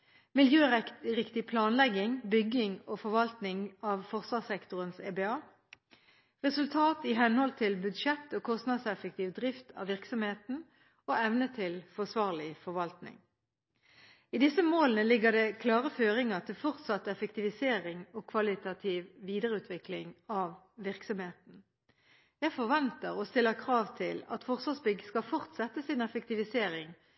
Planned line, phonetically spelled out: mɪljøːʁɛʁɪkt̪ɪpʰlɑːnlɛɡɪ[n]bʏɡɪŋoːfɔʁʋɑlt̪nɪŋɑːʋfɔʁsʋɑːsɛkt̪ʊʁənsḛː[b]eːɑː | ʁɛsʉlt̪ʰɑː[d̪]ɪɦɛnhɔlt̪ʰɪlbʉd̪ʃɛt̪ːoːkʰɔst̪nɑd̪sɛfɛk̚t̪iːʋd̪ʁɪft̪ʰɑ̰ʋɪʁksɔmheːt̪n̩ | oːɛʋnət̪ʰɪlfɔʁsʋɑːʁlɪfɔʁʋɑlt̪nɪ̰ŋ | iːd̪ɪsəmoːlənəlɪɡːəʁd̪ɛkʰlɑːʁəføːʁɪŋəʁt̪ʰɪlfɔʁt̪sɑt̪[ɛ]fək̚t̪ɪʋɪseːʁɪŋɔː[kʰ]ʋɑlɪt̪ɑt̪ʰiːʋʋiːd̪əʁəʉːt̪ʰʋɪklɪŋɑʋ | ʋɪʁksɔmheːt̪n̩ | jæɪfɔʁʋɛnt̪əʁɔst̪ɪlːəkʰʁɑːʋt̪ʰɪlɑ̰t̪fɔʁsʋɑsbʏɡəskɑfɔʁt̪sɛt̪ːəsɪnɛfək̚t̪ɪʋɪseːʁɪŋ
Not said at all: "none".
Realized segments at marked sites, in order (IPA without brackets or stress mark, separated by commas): ŋ, b, t̪, ɛ, kʰ